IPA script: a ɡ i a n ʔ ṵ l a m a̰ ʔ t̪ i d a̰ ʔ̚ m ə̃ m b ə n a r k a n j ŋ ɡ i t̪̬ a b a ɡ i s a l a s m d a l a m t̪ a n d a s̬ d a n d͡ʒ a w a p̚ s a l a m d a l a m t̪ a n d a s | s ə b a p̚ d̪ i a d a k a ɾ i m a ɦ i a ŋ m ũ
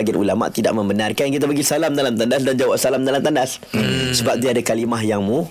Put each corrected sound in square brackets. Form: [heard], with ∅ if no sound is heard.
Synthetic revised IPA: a ɡ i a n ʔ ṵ l a m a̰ ʔ t̪ i d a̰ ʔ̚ m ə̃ m b ə n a r k a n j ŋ [k] i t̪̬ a b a ɡ i s a l a [∅] m d a l a m t̪ a n d a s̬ d a n d͡ʒ a w a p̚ s a l a m d a l a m t̪ a n d a s | s ə b a p̚ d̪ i a d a k a [l] i m a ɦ [j] a ŋ m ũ